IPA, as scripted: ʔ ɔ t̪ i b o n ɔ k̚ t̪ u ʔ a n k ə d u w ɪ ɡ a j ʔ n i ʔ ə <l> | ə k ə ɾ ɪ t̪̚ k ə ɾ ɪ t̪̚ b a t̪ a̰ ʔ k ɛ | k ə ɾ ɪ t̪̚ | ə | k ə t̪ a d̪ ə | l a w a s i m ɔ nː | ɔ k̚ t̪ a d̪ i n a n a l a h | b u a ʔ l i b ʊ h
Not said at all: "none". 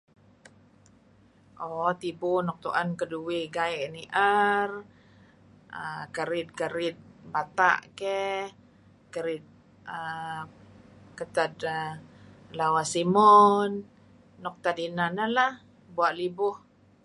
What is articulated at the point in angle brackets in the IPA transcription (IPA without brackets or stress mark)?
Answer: r